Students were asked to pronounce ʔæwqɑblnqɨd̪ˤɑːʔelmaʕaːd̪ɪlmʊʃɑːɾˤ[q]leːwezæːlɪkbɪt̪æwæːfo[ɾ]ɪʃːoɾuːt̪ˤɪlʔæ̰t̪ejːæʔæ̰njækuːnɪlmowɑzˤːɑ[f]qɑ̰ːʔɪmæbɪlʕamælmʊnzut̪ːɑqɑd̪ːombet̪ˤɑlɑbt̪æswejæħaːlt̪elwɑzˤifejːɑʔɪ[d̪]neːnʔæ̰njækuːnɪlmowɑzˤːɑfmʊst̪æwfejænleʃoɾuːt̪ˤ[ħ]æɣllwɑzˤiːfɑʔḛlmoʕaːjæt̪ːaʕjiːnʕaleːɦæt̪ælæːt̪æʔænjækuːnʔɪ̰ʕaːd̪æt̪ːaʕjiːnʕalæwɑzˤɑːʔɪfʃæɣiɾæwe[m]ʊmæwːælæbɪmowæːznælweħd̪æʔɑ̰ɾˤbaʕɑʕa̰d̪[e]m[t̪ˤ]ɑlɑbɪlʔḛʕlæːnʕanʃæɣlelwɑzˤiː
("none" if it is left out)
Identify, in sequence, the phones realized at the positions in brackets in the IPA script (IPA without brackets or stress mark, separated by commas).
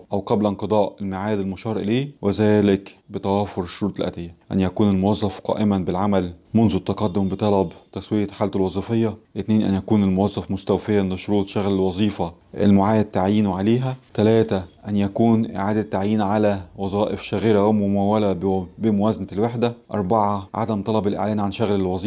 ʔ, ɾ, f, t̪, ʃ, m, æ, t̪ˤ